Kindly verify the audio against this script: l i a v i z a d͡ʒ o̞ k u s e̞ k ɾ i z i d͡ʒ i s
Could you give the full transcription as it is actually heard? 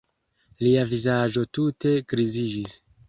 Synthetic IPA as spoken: l i a v i z a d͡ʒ o̞ t u t e̞ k ɾ i z i d͡ʒ i s